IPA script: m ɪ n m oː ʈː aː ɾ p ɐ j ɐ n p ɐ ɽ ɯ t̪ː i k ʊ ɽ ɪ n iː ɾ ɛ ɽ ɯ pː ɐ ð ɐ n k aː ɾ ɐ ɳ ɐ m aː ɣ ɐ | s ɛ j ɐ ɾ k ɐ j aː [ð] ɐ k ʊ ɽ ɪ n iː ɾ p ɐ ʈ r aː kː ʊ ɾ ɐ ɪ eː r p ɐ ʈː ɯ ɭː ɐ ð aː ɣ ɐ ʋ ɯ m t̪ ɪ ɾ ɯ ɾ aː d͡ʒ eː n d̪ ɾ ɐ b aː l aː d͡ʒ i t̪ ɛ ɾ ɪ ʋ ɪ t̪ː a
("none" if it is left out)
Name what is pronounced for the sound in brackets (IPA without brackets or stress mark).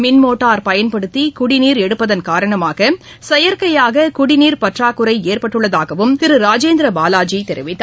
ɣ